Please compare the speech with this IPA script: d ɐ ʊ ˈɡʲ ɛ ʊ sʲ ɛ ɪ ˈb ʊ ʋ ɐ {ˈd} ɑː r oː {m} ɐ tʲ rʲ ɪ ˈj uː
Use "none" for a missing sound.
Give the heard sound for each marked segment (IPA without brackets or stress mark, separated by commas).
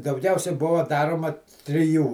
d, m